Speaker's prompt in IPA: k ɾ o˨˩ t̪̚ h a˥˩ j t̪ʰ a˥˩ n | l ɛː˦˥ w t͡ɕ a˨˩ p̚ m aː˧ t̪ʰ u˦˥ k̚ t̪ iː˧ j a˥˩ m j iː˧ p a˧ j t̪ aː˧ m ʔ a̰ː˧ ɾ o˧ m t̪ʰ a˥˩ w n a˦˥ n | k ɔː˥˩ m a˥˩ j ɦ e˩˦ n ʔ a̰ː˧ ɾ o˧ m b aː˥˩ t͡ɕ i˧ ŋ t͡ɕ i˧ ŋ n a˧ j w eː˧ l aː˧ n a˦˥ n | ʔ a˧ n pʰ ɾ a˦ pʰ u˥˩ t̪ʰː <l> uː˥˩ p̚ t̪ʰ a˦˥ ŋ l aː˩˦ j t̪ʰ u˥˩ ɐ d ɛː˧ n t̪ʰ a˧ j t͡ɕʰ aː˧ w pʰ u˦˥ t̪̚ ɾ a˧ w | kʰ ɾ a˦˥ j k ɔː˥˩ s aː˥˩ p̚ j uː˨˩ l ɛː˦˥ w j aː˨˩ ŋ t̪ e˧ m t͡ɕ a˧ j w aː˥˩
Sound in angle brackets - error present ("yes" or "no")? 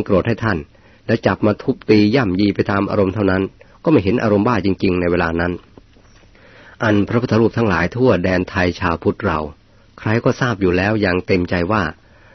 yes